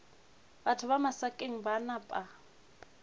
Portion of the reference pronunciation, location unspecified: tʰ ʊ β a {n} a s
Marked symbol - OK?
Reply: no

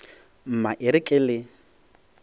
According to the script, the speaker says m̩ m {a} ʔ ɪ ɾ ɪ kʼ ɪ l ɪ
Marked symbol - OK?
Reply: yes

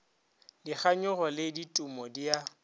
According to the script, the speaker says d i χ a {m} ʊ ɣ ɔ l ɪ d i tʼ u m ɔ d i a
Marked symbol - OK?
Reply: no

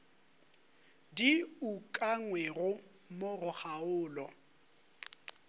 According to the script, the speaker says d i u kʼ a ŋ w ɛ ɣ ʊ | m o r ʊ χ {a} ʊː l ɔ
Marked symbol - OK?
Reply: yes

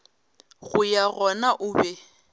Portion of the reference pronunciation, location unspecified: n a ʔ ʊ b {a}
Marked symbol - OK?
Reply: no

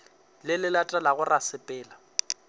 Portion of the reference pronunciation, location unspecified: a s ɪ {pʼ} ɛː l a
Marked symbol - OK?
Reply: yes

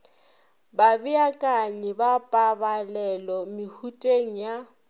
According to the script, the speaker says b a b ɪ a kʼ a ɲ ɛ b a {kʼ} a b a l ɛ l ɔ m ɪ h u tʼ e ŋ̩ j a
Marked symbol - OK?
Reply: no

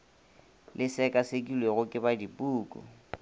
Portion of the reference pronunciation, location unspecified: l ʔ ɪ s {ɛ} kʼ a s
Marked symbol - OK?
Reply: yes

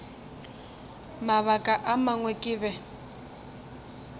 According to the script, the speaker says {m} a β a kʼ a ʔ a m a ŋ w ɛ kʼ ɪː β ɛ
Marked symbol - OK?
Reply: yes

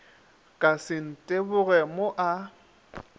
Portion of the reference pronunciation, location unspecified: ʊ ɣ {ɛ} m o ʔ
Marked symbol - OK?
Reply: yes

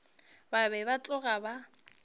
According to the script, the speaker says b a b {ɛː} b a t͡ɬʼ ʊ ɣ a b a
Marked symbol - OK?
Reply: no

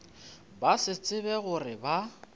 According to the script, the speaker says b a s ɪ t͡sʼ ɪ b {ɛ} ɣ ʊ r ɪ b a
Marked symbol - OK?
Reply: yes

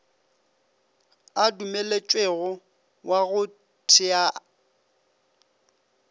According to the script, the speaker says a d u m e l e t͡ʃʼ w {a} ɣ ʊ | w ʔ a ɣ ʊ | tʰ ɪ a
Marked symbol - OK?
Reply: no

